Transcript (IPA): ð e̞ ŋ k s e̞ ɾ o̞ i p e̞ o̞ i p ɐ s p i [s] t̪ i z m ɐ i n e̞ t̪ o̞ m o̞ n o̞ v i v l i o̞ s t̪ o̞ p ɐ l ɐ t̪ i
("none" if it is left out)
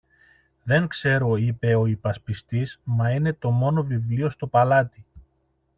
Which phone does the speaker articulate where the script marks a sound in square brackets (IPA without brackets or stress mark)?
s